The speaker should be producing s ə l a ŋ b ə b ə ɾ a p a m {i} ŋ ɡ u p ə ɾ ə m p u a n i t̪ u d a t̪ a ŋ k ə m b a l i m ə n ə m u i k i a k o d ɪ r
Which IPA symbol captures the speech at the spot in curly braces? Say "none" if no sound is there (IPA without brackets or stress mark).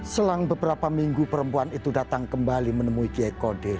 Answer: i